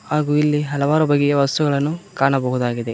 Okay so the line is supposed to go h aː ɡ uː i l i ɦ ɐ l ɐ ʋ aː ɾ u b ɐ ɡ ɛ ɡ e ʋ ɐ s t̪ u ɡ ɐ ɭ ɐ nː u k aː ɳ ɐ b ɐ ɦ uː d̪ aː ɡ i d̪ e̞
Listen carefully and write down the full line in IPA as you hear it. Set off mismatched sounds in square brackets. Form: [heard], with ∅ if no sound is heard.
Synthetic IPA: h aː ɡ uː i [lː] i ɦ ɐ l ɐ ʋ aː ɾ u b ɐ ɡ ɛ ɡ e ʋ ɐ s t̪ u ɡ ɐ ɭ ɐ nː u k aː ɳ ɐ b ɐ ɦ [u] d̪ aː ɡ i d̪ e̞